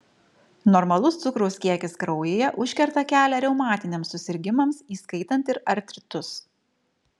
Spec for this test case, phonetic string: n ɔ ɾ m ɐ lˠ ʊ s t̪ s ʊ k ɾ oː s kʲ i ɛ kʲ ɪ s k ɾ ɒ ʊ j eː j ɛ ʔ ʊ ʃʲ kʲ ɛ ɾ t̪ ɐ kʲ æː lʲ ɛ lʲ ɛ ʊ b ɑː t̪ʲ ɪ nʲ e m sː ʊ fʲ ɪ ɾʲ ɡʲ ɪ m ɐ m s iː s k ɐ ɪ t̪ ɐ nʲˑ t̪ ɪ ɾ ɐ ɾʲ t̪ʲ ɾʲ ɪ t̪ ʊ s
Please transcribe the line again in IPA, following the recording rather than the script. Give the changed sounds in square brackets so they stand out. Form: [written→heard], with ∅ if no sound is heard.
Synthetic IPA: n ɔ ɾ m ɐ lˠ ʊ s t̪ s ʊ k ɾ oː s kʲ i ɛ kʲ ɪ s k ɾ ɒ ʊ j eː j ɛ ʔ ʊ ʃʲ kʲ ɛ ɾ t̪ ɐ kʲ æː lʲ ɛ [lʲ→ɾʲ] ɛ ʊ [b→m] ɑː t̪ʲ ɪ nʲ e m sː ʊ [fʲ→sʲ] ɪ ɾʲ ɡʲ ɪ m ɐ m s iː s k ɐ ɪ t̪ ɐ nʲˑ t̪ ɪ ɾ ɐ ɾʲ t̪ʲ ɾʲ ɪ t̪ ʊ s